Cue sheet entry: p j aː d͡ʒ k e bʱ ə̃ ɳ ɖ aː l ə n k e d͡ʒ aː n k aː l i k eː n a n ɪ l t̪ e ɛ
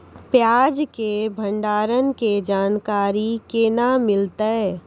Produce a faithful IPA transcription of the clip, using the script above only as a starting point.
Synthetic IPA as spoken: p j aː d͡ʒ k e bʱ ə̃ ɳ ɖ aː ɾ ə n k e d͡ʒ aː n k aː ɾ i k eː n a m ɪ l t̪ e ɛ